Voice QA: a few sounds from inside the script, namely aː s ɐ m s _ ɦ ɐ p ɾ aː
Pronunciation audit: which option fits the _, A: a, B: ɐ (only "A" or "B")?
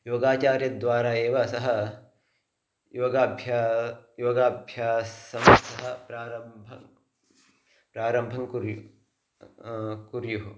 B